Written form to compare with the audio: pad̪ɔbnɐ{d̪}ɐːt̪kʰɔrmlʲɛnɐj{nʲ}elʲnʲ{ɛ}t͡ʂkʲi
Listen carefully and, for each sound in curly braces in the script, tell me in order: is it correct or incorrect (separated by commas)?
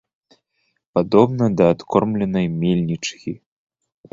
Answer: correct, incorrect, incorrect